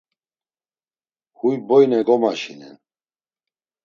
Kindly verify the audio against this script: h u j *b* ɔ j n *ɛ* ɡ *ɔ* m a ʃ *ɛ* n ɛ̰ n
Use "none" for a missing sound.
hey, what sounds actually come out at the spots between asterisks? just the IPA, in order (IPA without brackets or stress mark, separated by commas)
b, ɛ, ɔ, i